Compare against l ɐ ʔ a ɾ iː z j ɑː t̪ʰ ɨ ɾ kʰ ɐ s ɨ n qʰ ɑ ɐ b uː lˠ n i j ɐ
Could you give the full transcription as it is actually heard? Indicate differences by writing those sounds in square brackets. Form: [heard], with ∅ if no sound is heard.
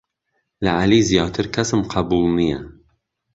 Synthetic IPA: l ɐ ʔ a [l] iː z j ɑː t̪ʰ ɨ ɾ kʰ ɐ s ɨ [m] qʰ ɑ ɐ b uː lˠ n i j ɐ